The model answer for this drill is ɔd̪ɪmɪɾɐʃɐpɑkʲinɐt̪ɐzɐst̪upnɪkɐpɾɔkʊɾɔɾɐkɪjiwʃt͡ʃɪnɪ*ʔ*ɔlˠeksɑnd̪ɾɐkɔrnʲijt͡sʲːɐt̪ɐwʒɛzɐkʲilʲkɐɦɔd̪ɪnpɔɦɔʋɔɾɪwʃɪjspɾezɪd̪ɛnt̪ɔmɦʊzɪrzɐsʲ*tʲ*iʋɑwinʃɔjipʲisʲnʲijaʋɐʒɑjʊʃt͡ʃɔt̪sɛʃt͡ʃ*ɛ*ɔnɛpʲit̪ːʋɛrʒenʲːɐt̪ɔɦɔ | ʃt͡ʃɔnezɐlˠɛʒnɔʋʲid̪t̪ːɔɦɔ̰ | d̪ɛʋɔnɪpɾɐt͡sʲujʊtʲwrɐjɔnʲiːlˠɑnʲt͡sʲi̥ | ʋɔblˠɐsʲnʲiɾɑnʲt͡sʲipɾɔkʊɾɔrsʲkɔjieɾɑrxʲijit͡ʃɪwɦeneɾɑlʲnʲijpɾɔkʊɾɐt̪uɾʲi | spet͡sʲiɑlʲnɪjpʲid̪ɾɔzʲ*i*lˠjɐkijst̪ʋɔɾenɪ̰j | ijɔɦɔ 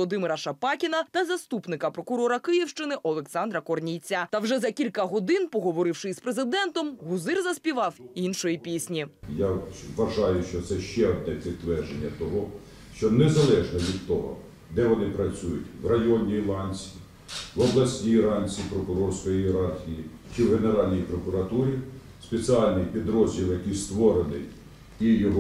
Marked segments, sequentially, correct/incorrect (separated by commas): correct, incorrect, correct, correct